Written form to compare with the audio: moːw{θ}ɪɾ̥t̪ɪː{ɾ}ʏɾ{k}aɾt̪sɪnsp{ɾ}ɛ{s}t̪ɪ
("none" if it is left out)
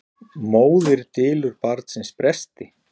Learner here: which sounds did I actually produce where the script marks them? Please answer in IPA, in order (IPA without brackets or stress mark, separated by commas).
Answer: ð, l, p, ɾ, s